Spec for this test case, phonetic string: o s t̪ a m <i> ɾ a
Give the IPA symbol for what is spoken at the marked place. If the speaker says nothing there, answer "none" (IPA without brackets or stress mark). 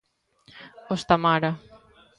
a